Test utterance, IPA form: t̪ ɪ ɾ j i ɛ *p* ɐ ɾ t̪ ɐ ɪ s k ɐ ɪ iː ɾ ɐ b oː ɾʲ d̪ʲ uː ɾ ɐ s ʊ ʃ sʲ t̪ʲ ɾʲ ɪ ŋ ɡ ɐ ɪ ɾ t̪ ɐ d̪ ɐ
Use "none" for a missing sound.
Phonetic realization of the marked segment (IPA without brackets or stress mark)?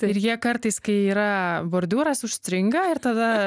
k